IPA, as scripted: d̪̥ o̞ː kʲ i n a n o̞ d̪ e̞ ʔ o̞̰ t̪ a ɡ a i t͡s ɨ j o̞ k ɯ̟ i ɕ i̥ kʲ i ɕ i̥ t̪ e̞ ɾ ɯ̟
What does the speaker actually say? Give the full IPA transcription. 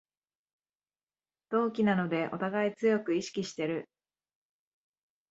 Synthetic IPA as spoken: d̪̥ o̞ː kʲ i n a n o̞ d̪ e̞ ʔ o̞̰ t̪ a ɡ a i t͡s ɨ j o̞ k ɯ̟ i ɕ i̥ kʲ i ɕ i̥ t̪ e̞ ɾ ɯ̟